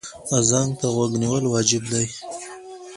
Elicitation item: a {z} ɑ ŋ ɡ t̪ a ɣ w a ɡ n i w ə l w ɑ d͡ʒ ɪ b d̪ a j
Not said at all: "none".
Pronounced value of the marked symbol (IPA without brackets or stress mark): z